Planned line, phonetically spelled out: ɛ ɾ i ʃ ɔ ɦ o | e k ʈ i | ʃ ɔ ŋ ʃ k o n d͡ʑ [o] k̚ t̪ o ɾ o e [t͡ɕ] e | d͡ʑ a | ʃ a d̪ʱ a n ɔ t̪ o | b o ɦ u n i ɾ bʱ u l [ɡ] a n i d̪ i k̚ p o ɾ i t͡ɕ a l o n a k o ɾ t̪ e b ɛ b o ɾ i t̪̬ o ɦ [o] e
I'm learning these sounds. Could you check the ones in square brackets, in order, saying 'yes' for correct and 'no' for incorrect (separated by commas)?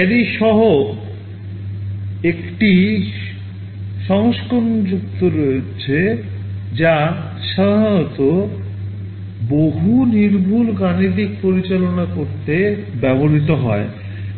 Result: no, no, yes, no